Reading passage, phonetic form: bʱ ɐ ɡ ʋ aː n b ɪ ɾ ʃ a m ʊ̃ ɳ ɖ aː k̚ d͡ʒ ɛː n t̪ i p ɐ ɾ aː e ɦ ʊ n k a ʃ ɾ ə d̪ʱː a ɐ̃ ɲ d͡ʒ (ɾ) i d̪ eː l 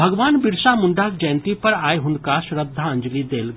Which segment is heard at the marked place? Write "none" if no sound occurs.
l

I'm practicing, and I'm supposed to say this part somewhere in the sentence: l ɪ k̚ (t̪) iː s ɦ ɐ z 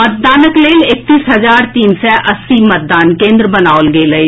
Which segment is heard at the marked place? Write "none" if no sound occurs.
t̪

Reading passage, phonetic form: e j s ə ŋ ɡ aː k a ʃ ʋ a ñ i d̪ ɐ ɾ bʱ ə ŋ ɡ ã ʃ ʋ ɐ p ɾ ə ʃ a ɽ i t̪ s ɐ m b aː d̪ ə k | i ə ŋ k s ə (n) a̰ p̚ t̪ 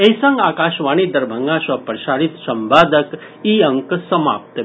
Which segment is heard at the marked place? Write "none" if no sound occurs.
m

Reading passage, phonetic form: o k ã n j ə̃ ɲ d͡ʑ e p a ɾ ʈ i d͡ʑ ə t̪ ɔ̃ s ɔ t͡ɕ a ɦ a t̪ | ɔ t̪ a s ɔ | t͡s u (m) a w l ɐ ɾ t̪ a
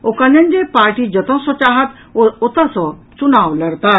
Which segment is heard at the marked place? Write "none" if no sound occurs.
n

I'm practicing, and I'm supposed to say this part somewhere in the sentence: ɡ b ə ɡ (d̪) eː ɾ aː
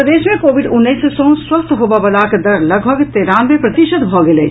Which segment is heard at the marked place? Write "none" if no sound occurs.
t̪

